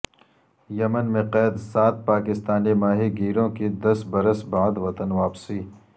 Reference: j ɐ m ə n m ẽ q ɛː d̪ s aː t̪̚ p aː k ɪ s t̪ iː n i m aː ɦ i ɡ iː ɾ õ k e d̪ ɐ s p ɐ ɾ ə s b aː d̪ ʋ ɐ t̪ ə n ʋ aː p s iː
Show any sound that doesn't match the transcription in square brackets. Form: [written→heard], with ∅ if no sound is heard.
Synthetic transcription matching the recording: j ɐ m ə n m ẽ q ɛː d̪ s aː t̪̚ p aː k ɪ s t̪ [iː→aː] n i m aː ɦ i ɡ iː ɾ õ k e d̪ ɐ s [p→b] ɐ ɾ ə s b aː d̪ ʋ ɐ t̪ ə n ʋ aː p s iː

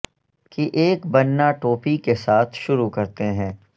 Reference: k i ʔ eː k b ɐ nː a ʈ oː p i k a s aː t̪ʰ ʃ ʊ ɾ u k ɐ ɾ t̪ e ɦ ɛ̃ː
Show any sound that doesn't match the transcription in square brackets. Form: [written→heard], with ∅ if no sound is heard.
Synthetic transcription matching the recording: k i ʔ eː k b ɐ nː a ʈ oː p i k [a→e] s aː t̪ʰ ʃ ʊ ɾ u k ɐ ɾ t̪ e ɦ ɛ̃ː

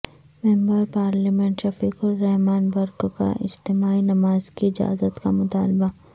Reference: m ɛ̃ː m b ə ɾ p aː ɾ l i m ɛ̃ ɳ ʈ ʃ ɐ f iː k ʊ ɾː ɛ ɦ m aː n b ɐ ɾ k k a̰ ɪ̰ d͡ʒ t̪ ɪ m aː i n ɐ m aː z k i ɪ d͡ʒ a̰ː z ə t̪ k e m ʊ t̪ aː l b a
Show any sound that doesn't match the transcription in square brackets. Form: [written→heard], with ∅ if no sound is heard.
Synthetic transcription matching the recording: m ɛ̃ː m b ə ɾ p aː ɾ l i m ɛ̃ ɳ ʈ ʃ ɐ f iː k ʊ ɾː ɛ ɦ m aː n b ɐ ɾ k k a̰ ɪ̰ d͡ʒ t̪ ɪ m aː i n ɐ m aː z k i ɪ d͡ʒ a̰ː z ə t̪ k [e→a] m ʊ t̪ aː l b a

